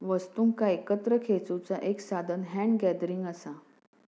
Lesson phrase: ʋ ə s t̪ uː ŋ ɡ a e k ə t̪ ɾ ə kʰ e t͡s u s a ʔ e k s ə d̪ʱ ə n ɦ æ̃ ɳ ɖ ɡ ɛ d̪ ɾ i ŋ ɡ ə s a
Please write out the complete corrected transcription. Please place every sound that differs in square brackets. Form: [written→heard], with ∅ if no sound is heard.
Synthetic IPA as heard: ʋ ə s t̪ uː ŋ [ɡ→k] a e k ə t̪ ɾ ə kʰ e t͡s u [s→t͡s] a ʔ e k s [ə→a] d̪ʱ ə n ɦ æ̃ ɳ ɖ ɡ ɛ d̪ ɾ i ŋ ɡ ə s a